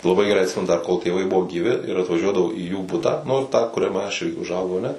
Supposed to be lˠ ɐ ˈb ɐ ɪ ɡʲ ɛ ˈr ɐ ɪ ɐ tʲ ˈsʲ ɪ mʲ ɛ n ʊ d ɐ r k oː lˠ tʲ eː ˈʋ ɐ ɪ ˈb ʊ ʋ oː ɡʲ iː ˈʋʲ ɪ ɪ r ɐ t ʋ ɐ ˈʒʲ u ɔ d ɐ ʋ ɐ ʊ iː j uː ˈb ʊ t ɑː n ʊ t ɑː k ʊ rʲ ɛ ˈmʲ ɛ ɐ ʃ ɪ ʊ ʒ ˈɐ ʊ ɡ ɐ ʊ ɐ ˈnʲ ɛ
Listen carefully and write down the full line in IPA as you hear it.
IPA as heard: lˠ ɐ ˈb ɐ ɪ ɡʲ ɛ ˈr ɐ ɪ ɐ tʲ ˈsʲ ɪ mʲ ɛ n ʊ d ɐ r k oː lˠ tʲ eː ˈʋ ɐ ɪ ˈb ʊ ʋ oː ɡʲ iː ˈʋʲ ɪ ɪ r ɐ t ʋ ɐ ˈʒʲ u ɔ d ɐ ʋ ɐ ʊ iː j uː ˈb ʊ t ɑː n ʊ t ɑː k ʊ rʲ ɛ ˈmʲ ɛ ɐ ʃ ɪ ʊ ʒ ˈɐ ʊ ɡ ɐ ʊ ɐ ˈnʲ ɛ